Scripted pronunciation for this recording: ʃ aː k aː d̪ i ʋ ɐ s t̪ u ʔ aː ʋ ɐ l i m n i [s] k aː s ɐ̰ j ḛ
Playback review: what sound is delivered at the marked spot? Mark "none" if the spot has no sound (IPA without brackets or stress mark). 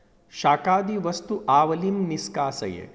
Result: s